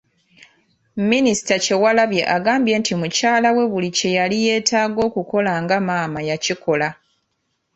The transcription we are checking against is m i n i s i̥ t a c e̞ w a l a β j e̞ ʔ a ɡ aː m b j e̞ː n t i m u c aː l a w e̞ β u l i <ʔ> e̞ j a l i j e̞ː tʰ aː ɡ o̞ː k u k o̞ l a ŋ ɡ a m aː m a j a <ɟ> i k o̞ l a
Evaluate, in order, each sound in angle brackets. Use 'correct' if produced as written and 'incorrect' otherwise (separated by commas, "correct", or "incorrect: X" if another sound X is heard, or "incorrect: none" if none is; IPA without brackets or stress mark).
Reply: incorrect: c, incorrect: c